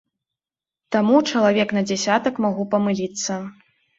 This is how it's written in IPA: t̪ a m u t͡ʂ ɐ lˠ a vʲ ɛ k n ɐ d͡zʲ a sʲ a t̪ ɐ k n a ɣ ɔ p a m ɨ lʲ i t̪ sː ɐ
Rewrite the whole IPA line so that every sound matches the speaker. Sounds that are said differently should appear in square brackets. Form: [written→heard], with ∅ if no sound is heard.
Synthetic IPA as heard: t̪ a m u t͡ʂ ɐ lˠ a vʲ ɛ k n ɐ d͡zʲ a sʲ a t̪ ɐ k [n→m] a ɣ [ɔ→u] p [a→ɐ] m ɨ lʲ i t̪ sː ɐ